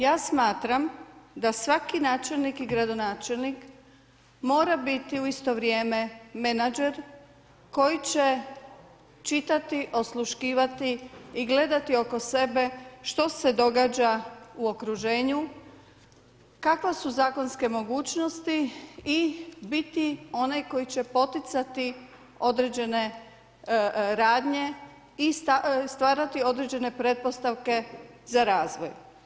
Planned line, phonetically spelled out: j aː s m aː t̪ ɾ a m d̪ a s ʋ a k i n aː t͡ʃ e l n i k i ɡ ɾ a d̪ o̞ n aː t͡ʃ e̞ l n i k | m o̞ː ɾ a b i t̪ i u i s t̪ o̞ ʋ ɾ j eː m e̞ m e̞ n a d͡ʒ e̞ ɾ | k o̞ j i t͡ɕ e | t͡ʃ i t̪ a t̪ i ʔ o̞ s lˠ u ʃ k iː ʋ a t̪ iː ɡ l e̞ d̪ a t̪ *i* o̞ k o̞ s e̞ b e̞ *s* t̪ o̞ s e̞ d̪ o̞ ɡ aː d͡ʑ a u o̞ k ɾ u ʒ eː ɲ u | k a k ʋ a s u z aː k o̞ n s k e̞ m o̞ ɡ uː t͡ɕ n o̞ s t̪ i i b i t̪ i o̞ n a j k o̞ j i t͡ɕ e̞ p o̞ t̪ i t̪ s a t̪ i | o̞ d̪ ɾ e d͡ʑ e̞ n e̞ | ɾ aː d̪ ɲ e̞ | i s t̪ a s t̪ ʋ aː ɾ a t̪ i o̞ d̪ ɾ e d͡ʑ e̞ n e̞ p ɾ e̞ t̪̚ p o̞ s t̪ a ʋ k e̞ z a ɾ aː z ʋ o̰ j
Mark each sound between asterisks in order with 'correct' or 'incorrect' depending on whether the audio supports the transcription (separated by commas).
correct, incorrect